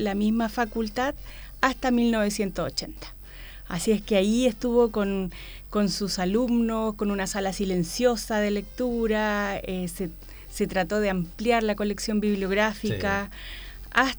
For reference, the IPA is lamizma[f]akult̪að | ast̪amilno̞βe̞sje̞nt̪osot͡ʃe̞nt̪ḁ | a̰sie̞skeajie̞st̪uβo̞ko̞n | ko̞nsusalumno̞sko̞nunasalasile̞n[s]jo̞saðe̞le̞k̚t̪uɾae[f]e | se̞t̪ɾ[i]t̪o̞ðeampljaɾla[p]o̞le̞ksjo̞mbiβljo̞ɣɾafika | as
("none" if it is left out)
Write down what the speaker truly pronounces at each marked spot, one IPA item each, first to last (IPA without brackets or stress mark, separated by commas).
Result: f, s, s, a, k